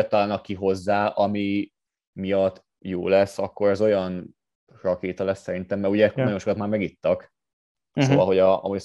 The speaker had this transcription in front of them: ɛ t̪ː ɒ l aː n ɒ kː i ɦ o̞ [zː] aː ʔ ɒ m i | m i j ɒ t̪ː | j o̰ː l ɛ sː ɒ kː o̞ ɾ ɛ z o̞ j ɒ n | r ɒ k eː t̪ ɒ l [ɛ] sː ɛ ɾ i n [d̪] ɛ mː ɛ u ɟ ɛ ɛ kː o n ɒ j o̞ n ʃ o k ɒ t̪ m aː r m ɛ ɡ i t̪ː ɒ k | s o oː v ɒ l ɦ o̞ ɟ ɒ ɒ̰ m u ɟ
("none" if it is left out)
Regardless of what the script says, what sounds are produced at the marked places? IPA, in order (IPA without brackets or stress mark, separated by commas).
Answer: zː, ɛ, t̪